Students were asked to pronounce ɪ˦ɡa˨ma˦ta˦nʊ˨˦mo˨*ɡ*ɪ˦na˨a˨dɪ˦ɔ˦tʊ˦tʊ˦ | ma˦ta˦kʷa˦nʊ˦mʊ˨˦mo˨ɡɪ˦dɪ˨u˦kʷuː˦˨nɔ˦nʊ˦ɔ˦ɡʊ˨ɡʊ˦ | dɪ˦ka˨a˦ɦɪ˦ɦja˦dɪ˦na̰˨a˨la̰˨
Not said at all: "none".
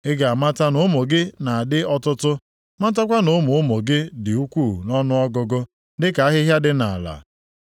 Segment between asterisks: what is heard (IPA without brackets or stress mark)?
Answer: ɡ